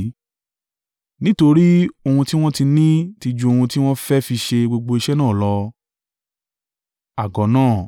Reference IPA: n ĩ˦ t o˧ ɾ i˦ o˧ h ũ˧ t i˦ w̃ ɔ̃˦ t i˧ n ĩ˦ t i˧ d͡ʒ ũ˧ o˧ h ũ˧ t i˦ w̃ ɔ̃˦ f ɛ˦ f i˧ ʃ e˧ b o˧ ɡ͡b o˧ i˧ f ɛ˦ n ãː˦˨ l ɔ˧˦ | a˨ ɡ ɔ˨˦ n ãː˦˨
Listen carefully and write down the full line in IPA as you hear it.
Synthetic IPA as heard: n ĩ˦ t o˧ ɾ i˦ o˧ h ũ˧ t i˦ w̃ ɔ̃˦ t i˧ n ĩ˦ t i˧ d͡ʒ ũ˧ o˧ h ũ˧ t i˦ w̃ ɔ̃˦ f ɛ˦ f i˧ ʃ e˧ ɡ͡b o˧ ɡ͡b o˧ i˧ ʃ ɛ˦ n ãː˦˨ l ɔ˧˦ | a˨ ɡ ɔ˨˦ n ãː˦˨

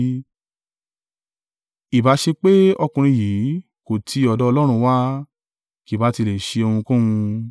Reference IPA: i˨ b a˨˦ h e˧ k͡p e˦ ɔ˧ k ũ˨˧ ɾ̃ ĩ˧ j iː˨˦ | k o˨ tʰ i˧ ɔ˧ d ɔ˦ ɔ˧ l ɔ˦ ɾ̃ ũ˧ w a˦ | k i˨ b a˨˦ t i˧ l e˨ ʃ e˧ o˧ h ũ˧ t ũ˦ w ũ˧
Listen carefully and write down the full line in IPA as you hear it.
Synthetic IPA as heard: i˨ b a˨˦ ʃ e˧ k͡p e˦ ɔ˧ k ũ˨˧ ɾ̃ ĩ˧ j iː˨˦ | k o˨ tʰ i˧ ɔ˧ d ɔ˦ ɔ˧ l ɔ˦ ɾ̃ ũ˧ w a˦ | k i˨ b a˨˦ t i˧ l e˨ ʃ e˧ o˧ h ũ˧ k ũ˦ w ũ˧

